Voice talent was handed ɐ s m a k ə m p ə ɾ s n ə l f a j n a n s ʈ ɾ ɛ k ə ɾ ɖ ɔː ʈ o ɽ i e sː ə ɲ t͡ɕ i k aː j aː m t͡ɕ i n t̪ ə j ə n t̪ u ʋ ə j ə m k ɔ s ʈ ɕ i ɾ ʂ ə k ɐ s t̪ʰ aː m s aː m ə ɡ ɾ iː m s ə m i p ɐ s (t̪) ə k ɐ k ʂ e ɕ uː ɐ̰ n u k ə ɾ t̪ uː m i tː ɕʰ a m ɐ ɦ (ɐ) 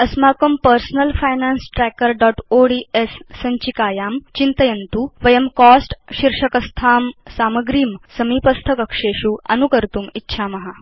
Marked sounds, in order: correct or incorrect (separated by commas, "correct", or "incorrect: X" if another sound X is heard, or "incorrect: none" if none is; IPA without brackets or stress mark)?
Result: incorrect: t̪ʰ, incorrect: a